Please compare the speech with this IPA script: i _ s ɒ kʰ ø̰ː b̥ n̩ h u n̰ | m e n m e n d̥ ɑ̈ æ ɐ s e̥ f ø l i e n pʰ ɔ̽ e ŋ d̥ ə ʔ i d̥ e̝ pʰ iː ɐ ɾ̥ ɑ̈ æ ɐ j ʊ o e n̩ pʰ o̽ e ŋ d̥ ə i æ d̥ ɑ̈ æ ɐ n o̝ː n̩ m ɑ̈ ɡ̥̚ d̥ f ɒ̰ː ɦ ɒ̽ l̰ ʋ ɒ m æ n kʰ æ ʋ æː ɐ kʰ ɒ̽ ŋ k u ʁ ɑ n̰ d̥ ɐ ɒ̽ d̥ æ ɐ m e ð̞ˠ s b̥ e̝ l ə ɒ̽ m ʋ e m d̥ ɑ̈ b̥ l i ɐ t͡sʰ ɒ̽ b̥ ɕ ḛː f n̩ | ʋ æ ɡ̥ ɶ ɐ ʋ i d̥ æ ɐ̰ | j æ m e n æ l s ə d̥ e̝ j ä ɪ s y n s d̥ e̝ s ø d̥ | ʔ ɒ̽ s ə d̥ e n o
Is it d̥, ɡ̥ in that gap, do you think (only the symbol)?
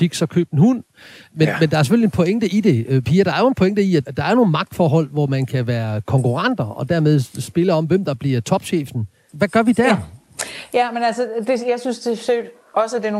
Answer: ɡ̥